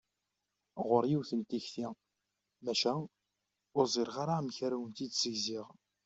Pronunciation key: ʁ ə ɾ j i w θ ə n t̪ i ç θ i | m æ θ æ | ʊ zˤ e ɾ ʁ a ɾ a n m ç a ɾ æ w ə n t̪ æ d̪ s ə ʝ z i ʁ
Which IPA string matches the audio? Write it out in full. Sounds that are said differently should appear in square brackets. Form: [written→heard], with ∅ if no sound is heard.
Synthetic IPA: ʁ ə ɾ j i w θ ə n t̪ i ç θ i | m æ [θ→ʃ] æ | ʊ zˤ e ɾ ʁ a ɾ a [n→∅] m ç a ɾ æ w ə n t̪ [æ→i] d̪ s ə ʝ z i ʁ